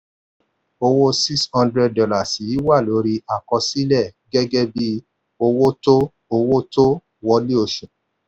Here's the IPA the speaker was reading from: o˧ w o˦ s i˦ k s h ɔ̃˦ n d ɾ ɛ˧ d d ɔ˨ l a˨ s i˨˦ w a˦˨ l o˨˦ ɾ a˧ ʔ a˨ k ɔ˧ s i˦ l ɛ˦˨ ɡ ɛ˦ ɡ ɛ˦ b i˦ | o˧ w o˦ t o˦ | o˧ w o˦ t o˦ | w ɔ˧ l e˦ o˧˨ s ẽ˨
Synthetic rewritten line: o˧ w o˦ s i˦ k s h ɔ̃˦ n d ɾ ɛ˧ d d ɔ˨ l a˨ s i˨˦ w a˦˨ l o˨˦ ɾ i˧ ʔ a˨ k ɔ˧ s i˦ l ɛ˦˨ ɡ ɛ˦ ɡ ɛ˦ b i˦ | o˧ w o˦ t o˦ | o˧ w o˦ t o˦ | w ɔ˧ l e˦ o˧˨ ʃ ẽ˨